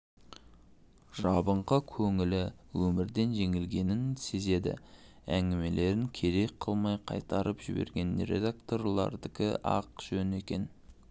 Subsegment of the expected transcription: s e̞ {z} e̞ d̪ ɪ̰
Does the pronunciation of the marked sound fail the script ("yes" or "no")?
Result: no